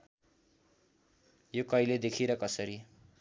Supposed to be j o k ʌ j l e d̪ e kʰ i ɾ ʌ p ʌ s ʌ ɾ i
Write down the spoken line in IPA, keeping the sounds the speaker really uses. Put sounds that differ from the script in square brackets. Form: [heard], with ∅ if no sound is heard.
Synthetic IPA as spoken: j o k ʌ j l e d̪ e kʰ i ɾ ʌ [k] ʌ s ʌ ɾ i